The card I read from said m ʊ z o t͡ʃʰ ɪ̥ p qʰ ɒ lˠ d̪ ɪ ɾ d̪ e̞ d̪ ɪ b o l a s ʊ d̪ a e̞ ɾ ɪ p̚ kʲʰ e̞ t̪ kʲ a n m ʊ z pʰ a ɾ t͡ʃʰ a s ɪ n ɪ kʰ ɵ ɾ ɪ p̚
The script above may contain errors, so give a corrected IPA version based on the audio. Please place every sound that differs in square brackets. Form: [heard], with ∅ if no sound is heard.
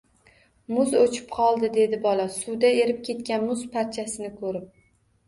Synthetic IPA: m ʊ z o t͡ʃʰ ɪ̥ p qʰ ɒ lˠ d̪ ɪ [∅] d̪ e̞ d̪ ɪ b [ɒ] l a s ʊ d̪ a e̞ ɾ ɪ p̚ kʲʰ e̞ t̪ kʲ a n m ʊ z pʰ a ɾ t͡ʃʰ a s ɪ n ɪ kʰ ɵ ɾ ɪ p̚